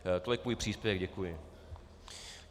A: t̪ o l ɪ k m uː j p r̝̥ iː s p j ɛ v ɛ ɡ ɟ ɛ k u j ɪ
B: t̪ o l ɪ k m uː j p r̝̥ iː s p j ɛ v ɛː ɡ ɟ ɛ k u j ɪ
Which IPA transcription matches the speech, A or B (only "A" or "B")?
A